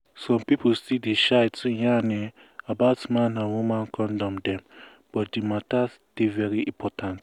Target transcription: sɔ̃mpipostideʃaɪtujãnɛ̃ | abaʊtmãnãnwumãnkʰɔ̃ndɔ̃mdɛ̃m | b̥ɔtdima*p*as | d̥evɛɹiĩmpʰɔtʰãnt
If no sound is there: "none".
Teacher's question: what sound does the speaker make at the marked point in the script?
t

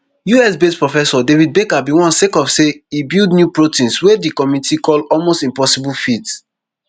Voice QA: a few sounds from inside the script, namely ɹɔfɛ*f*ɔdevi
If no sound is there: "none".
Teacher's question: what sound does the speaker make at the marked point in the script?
s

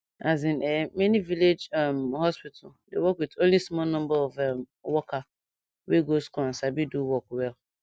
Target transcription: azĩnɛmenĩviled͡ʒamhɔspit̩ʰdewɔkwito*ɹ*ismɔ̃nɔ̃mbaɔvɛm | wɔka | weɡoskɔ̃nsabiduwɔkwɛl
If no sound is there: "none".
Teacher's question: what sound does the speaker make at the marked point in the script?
l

